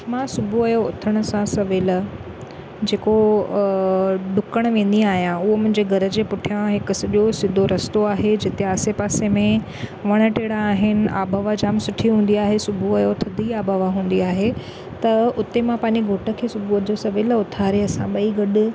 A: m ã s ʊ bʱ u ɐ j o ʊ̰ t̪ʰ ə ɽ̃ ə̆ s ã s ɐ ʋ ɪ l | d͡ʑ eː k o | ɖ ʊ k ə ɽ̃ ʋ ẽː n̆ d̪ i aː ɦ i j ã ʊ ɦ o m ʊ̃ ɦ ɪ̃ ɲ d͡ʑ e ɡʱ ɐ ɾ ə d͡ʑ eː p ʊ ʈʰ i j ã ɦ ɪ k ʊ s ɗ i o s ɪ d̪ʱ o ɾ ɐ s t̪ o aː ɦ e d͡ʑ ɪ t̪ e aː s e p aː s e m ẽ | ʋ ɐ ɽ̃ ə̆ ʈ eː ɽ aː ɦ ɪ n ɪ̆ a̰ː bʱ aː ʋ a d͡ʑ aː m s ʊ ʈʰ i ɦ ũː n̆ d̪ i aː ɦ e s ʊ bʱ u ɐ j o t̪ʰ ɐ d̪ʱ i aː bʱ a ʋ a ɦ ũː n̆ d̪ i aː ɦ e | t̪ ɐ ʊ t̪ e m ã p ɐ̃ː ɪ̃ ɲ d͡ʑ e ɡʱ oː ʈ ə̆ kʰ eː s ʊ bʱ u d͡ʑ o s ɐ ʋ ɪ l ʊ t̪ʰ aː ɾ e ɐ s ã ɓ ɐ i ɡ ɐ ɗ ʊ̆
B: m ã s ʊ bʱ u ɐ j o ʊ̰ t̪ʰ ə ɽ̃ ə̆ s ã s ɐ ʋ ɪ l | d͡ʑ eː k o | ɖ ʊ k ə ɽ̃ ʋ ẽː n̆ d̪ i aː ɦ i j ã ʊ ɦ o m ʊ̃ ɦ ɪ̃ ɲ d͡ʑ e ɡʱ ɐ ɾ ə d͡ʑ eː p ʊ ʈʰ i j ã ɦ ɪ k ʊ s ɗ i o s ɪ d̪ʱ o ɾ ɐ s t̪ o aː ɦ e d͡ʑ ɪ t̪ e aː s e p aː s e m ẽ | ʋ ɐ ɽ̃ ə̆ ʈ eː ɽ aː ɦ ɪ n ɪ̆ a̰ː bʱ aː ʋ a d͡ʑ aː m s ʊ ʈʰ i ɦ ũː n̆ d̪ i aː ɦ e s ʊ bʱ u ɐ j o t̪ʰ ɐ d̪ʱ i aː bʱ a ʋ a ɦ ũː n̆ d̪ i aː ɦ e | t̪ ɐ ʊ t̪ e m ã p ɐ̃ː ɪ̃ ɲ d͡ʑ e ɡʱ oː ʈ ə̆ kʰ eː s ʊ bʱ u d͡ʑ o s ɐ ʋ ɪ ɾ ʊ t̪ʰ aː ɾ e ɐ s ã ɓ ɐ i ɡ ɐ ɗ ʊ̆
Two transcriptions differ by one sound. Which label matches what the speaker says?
A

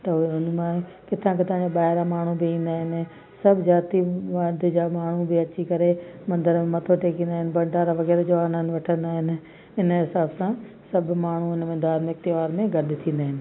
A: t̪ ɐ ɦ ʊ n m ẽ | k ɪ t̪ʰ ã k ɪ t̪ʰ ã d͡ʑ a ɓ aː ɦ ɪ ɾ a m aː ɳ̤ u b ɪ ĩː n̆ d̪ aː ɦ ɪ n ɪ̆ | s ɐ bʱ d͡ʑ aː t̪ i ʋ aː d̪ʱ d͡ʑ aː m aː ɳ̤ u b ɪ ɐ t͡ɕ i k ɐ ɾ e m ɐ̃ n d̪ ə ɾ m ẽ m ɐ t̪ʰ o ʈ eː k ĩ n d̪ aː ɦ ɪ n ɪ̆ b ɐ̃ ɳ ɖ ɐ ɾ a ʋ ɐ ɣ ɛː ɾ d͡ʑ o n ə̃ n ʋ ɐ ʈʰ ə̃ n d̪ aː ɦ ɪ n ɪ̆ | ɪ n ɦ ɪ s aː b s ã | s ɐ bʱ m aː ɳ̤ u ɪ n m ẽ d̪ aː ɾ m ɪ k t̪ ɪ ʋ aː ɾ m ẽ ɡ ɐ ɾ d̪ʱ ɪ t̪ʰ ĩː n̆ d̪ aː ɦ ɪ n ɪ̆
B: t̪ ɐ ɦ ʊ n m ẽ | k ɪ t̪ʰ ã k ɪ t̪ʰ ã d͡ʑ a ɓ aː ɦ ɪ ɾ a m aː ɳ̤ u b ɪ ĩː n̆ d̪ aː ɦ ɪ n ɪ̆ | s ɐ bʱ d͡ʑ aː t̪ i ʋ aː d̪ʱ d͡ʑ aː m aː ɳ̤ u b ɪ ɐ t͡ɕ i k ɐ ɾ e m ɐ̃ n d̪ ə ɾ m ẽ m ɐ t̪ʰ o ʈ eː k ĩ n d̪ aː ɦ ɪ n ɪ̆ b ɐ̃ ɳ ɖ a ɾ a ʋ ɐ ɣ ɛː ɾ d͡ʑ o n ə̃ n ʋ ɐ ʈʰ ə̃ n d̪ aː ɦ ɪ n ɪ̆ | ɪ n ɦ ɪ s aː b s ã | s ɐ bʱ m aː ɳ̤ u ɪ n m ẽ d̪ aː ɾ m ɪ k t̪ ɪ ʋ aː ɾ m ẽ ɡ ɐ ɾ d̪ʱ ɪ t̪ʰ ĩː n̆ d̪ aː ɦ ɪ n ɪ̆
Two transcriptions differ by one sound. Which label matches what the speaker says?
B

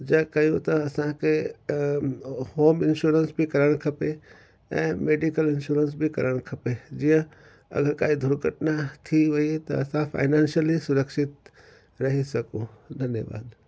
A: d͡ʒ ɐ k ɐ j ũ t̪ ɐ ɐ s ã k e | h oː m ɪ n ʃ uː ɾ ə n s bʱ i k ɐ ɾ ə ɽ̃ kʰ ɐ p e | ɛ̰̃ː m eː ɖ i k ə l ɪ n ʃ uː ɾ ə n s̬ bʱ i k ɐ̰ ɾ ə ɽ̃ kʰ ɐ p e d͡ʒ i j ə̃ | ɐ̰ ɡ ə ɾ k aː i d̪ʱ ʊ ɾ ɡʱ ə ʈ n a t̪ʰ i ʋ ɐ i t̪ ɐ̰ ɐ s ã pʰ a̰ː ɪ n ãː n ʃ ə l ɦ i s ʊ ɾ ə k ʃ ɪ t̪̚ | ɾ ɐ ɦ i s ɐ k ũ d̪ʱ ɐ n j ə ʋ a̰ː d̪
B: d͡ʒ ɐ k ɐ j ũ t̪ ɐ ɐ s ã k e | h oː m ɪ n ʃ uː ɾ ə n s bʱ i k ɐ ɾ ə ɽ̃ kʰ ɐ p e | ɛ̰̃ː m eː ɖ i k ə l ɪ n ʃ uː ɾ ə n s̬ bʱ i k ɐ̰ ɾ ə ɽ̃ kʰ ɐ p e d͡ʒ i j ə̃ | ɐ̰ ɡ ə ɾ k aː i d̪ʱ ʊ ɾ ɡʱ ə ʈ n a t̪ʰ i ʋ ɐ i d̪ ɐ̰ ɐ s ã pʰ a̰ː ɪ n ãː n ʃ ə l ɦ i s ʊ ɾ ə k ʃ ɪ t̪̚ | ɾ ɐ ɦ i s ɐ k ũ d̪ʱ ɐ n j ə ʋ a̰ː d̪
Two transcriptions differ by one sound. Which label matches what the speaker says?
A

